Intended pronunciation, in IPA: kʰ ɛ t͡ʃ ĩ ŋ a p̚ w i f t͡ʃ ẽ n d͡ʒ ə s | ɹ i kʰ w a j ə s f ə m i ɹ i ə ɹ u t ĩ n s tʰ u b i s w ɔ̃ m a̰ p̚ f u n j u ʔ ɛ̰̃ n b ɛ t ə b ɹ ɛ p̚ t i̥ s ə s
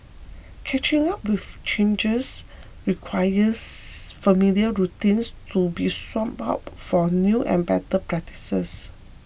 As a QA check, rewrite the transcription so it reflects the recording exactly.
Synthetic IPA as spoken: kʰ ɛ t͡ʃ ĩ ŋ a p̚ w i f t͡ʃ ẽ n d͡ʒ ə s | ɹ i kʰ w a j ə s f ə m i l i ə ɹ u t ĩ n s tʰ u b i s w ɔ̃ m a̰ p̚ f ɔ n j u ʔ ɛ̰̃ n b ɛ t ə p ɹ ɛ k̚ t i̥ s ə s